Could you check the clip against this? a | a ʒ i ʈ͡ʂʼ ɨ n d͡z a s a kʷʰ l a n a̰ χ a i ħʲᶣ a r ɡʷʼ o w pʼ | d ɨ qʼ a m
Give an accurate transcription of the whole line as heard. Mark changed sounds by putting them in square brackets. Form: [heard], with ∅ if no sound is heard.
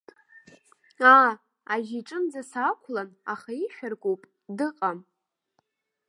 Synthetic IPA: a | a ʒ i ʈ͡ʂʼ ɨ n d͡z a s a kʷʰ l a n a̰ χ a i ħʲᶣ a r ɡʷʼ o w pʼ | d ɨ qʼ a m